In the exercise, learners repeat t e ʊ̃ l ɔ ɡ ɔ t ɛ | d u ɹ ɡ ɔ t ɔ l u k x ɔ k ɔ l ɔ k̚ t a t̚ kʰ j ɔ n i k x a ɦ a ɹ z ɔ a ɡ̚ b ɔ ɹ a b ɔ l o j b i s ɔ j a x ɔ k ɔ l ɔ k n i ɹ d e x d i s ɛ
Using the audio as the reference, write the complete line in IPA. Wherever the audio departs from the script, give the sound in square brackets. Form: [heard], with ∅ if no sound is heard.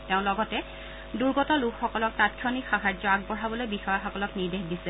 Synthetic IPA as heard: t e ʊ̃ l ɔ ɡ ɔ t ɛ | d u ɹ ɡ ɔ t ɔ l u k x ɔ k ɔ l ɔ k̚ t a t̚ kʰ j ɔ n i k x a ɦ a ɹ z ɔ a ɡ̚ b ɔ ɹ a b ɔ l o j b i [x] ɔ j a x ɔ k ɔ l ɔ k n i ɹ d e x d i s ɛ